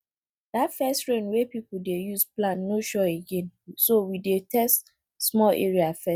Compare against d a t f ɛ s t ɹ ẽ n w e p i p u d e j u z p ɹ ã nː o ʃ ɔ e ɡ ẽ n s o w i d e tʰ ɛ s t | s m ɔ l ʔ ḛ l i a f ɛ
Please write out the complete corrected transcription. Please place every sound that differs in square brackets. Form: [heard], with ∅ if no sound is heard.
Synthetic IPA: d a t f ɛ s t ɹ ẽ n w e p i p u d e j u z p [l] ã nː o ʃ ɔ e ɡ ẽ n s o w i d e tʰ ɛ s t | s m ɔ l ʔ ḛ [ɹ] i a f ɛ